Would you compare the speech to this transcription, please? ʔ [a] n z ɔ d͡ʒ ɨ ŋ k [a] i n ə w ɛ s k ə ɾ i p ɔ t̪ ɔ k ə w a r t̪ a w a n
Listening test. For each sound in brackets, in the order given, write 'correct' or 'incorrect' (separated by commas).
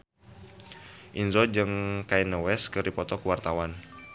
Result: incorrect, correct